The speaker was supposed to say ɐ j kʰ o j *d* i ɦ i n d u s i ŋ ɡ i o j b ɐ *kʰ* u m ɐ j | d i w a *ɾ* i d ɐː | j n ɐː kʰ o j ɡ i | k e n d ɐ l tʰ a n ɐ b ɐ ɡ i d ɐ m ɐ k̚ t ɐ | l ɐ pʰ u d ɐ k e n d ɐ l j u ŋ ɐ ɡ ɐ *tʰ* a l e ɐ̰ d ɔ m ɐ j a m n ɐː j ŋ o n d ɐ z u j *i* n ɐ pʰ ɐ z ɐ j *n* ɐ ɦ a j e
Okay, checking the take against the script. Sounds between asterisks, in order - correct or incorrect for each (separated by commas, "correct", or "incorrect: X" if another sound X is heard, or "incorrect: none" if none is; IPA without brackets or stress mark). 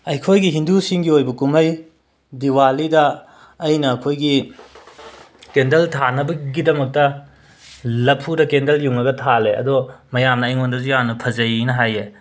incorrect: ɡ, incorrect: k, incorrect: l, correct, incorrect: a, correct